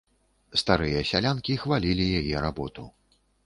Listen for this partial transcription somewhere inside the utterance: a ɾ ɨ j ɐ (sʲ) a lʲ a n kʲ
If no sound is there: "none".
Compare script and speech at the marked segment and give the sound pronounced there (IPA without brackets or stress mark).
sʲ